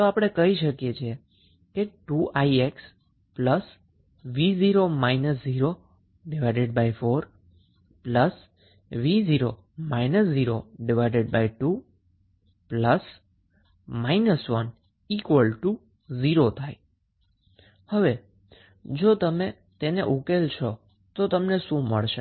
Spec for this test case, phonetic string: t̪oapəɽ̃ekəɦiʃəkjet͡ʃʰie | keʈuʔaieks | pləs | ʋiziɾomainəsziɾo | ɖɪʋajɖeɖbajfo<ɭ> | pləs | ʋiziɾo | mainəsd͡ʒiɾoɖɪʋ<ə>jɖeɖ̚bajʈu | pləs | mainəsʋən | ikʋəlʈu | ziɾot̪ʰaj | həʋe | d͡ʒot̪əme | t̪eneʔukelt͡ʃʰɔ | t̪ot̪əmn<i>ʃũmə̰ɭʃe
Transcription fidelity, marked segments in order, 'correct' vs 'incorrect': incorrect, incorrect, incorrect

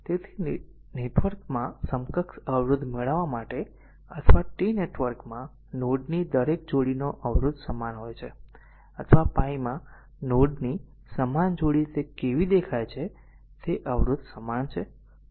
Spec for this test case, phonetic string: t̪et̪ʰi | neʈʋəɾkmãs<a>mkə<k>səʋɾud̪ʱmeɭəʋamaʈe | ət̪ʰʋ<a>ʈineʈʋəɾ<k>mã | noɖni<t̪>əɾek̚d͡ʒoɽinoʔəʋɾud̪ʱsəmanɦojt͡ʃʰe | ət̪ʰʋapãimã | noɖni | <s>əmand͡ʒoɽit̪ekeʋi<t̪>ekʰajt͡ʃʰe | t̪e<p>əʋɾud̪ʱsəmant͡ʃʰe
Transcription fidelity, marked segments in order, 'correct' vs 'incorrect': incorrect, correct, correct, correct, incorrect, correct, incorrect, incorrect

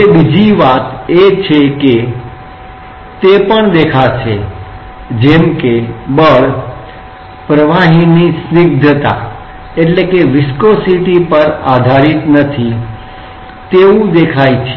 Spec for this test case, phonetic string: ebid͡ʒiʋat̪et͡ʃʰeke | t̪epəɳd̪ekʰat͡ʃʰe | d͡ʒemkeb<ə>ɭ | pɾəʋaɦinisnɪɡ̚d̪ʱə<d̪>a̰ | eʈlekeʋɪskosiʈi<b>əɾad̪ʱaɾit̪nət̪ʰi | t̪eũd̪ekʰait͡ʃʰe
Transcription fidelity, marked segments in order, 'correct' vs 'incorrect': correct, incorrect, incorrect

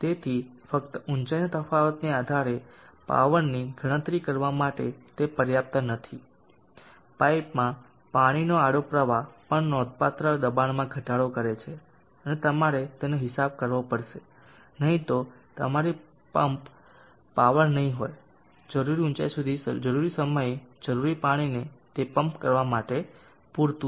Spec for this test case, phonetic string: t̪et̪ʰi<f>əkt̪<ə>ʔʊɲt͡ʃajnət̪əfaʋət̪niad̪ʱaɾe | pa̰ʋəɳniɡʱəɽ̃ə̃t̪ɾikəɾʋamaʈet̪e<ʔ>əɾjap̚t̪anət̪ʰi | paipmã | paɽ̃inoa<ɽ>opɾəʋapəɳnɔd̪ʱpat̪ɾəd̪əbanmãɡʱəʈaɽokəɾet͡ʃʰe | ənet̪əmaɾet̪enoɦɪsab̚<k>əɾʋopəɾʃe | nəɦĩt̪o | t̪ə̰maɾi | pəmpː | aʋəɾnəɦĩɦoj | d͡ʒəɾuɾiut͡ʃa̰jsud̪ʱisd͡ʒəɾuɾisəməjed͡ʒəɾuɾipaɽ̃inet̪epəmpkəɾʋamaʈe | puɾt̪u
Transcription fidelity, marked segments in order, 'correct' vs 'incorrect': correct, correct, incorrect, correct, correct

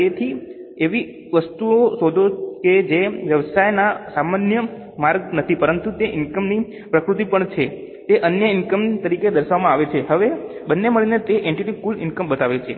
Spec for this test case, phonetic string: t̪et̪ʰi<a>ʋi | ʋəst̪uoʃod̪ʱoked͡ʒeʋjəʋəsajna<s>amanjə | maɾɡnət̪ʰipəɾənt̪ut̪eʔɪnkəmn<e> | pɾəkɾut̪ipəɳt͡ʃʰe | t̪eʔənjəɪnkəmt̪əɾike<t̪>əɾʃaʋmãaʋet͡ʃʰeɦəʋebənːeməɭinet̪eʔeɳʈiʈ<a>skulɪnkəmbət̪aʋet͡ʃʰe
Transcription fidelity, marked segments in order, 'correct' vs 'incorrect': incorrect, correct, incorrect, incorrect, incorrect

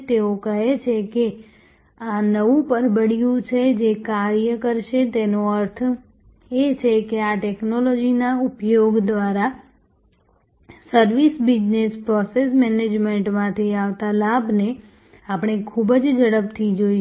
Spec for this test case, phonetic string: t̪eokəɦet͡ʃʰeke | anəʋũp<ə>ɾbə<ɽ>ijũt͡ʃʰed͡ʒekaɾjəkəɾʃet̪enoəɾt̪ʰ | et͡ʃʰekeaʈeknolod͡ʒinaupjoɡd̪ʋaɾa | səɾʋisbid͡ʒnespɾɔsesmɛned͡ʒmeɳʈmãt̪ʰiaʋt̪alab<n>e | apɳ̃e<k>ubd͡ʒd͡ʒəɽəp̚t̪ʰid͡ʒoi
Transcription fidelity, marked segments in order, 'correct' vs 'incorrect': correct, correct, correct, incorrect

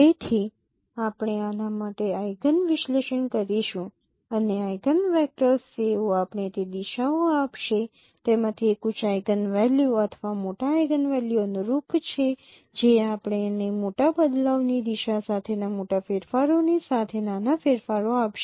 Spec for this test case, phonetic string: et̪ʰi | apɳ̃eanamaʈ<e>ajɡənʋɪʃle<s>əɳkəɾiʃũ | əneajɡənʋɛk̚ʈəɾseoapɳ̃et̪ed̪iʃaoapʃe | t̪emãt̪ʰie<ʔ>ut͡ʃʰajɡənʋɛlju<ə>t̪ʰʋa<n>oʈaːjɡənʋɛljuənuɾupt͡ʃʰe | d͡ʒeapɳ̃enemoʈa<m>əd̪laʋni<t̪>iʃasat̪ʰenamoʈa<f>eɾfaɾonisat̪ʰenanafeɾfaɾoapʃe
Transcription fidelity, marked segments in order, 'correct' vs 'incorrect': correct, incorrect, incorrect, correct, incorrect, incorrect, incorrect, correct

